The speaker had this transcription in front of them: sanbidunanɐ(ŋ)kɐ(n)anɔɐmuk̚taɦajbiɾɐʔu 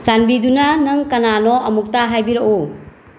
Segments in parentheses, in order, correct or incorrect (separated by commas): correct, correct